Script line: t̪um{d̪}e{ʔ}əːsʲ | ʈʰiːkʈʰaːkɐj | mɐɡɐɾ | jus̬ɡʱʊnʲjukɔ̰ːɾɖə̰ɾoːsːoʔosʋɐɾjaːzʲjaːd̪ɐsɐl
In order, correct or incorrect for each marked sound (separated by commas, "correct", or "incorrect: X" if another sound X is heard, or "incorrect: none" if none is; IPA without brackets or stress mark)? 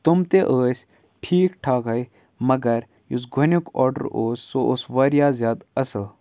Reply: incorrect: t̪, correct